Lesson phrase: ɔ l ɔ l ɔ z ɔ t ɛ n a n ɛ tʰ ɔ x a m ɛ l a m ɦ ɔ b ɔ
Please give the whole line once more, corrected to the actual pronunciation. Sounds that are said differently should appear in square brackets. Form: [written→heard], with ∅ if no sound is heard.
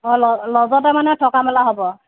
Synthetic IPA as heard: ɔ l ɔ l ɔ z ɔ t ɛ [n→m] a n ɛ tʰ ɔ [x→k] a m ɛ l a [m→∅] ɦ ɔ b ɔ